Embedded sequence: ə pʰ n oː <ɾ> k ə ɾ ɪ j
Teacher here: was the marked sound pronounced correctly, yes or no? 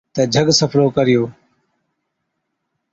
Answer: no